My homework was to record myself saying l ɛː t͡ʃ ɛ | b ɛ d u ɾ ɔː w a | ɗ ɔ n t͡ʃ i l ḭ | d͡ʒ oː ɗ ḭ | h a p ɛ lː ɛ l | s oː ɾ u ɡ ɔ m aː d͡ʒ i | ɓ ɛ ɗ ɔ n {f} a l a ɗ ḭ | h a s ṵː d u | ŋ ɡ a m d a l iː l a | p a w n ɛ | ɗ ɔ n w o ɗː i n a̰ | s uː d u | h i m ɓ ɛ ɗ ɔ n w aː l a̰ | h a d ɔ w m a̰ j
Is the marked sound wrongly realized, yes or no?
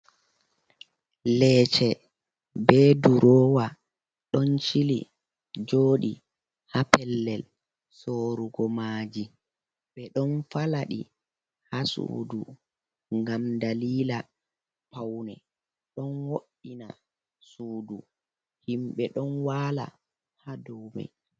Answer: no